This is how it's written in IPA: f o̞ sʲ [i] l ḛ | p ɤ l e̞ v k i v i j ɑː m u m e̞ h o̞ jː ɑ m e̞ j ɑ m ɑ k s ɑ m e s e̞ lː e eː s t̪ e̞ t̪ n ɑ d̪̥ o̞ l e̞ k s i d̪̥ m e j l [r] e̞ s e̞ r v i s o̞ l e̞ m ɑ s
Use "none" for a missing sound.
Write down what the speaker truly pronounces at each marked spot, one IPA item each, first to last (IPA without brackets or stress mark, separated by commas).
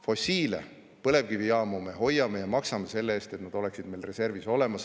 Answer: iː, r